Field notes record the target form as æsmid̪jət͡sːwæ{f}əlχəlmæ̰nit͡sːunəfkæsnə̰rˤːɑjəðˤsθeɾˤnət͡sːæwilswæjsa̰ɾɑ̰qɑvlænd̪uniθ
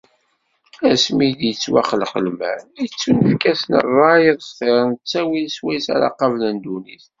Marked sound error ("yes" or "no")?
yes